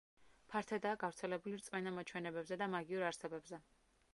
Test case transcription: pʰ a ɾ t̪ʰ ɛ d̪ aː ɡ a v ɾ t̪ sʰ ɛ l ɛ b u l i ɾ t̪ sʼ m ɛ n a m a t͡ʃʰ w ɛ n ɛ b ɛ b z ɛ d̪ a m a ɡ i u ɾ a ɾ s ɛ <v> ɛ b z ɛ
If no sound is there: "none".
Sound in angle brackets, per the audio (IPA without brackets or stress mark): b